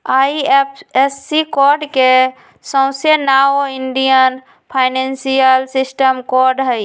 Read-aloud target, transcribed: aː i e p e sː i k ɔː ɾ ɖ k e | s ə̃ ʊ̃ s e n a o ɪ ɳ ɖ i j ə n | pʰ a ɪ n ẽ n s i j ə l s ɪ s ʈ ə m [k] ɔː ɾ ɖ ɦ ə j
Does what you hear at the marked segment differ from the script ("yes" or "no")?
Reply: no